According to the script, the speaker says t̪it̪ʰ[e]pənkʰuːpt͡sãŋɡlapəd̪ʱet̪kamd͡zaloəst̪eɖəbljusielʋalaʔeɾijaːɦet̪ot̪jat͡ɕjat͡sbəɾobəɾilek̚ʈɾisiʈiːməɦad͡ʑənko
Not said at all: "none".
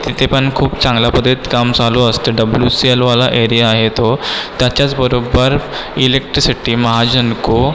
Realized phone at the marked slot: e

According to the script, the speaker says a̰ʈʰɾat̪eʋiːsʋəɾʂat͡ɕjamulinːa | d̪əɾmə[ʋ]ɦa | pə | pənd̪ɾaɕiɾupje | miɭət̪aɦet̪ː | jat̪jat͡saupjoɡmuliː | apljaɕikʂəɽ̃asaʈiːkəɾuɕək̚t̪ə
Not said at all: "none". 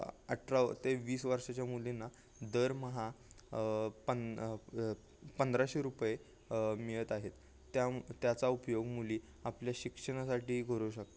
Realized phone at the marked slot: none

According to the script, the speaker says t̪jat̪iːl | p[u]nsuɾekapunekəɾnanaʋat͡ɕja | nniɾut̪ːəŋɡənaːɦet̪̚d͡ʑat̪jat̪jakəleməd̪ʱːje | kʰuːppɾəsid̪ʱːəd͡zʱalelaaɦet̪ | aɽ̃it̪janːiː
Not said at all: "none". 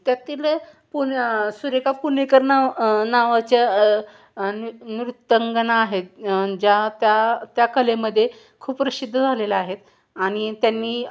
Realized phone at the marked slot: u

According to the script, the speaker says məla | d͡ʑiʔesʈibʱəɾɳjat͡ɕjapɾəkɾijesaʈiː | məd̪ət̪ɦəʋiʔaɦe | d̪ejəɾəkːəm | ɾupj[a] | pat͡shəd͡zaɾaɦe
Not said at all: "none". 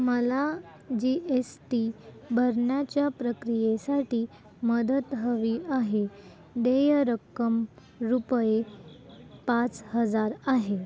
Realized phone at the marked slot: e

